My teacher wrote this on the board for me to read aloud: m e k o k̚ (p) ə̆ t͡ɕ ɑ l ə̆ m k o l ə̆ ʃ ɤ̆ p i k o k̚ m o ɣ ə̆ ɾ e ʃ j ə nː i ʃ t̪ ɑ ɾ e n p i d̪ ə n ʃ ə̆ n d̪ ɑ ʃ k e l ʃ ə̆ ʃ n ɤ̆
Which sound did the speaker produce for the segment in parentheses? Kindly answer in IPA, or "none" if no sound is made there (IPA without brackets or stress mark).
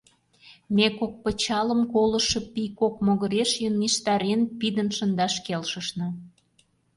p